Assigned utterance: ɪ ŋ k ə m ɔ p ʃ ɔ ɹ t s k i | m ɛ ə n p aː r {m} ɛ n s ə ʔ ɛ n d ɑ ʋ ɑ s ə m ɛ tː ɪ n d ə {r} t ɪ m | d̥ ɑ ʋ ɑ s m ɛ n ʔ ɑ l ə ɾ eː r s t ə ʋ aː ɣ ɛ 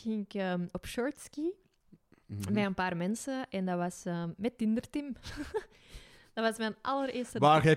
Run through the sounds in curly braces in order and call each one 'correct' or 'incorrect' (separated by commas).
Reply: correct, correct